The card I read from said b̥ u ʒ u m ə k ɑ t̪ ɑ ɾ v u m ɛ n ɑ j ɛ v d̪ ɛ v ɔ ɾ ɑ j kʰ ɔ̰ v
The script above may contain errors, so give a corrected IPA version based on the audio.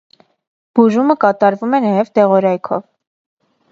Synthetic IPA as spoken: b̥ u ʒ u m ə k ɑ t̪ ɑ ɾ v u m ɛ n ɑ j ɛ v t̪ ɛ ʁ ɔ ɾ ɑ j kʰ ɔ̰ v